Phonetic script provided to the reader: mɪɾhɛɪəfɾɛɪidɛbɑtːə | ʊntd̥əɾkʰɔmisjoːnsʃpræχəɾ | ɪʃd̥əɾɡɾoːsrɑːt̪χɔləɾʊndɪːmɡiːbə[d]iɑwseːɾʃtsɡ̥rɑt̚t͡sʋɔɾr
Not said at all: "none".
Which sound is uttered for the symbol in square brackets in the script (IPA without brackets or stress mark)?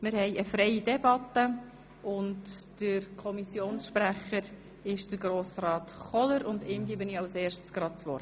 n